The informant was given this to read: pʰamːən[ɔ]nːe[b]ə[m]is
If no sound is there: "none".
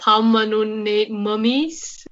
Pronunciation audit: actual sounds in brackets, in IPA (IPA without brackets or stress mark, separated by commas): u, m, m